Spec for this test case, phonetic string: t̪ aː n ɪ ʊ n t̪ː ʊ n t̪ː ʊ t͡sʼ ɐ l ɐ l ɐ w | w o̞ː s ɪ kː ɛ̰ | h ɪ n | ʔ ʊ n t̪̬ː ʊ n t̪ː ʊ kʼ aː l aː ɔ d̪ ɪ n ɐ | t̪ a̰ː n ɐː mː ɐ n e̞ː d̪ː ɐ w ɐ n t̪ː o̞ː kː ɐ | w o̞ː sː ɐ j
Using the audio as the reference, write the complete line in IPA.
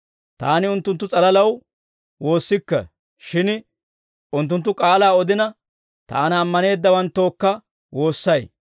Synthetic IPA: t̪ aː n ɪ ʊ n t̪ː ʊ n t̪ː ʊ t͡sʼ ɐ l ɐ l ɐ w | w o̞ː sː ɪ kː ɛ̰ | ʃ ɪ n | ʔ ʊ n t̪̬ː ʊ n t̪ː ʊ kʼ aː l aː ɔ d̪ ɪ n ɐ | t̪ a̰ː n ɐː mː ɐ n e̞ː d̪ː ɐ w ɐ n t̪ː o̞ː kː ɐ | w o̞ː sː ɐ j